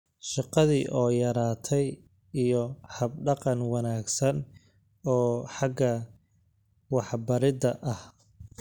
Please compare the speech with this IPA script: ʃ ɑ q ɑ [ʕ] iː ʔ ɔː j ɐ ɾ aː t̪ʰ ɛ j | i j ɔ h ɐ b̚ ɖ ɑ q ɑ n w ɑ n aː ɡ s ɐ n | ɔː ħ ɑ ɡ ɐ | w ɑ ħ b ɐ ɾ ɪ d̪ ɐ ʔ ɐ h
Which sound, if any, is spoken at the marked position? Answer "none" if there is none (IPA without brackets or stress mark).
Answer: ð